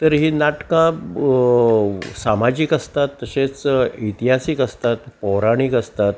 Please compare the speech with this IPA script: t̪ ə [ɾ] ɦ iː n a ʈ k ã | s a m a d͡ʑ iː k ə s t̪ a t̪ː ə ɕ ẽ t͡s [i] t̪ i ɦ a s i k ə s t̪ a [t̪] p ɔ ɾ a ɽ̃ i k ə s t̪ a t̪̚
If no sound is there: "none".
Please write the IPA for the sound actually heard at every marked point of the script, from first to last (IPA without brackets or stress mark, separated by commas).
ɾ, i, t̪